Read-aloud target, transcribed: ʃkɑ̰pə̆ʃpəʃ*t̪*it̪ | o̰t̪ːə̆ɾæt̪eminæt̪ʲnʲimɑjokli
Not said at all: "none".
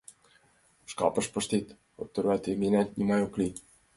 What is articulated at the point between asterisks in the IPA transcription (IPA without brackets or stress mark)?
t̪